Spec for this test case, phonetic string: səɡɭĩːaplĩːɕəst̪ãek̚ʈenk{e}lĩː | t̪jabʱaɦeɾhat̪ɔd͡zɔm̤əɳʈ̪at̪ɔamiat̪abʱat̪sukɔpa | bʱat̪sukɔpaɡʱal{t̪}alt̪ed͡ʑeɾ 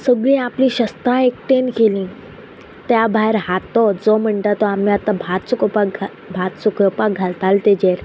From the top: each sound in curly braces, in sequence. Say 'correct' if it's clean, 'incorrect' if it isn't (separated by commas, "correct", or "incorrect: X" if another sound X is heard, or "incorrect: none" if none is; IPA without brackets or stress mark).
correct, correct